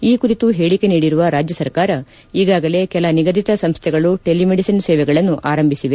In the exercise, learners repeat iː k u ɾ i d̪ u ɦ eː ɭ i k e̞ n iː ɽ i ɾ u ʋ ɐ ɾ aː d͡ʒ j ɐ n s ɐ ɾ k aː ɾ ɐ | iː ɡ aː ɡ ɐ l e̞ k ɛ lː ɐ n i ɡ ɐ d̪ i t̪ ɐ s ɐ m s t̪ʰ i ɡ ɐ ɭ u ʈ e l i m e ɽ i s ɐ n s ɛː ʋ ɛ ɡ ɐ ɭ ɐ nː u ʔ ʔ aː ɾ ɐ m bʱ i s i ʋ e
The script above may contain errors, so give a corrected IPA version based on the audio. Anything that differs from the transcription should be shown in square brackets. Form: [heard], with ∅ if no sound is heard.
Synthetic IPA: iː k u ɾ i [t̪] u ɦ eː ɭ i k e̞ n iː ɽ i ɾ u ʋ ɐ ɾ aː d͡ʒ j ɐ [∅] s ɐ ɾ k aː ɾ ɐ | iː ɡ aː ɡ ɐ l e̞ k ɛ [l] ɐ n i ɡ ɐ d̪ i t̪ ɐ s ɐ m s t̪ʰ [ɛ] ɡ ɐ ɭ u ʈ e l i m e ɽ i s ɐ n s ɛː ʋ ɛ ɡ ɐ ɭ ɐ nː u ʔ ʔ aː ɾ ɐ m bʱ i s i ʋ e